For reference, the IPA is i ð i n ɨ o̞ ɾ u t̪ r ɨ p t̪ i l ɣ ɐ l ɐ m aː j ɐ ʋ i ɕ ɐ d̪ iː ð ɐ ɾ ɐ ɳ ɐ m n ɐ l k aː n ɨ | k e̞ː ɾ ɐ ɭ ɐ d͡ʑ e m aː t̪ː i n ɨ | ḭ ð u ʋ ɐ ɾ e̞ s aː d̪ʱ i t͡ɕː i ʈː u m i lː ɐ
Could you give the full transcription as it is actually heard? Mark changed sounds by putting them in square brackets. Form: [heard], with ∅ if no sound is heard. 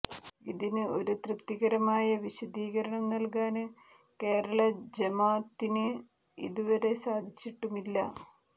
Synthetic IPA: i ð i n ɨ o̞ ɾ u t̪ r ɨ p t̪ i [∅] ɣ ɐ [ɾ] ɐ m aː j ɐ ʋ i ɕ ɐ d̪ iː [ɣ] ɐ ɾ ɐ ɳ ɐ m n ɐ l k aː n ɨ | k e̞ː ɾ ɐ ɭ ɐ d͡ʑ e m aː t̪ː i n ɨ | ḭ ð u ʋ ɐ ɾ e̞ s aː d̪ʱ i t͡ɕː i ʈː u m i lː ɐ